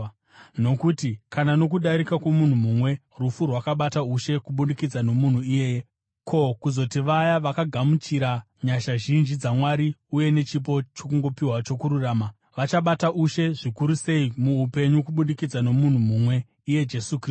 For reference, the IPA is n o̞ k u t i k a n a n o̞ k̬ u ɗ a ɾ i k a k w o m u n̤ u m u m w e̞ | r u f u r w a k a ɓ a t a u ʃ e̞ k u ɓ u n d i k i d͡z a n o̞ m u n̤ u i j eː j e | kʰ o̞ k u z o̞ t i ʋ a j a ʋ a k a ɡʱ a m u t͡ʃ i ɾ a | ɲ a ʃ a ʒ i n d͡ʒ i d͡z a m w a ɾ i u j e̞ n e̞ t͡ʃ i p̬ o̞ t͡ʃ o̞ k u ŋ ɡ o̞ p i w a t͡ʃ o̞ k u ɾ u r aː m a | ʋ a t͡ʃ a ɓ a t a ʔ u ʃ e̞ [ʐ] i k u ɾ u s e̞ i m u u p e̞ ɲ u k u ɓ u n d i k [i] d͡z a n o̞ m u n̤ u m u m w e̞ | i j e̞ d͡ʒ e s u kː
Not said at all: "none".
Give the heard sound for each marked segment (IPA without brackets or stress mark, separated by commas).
ʐ, i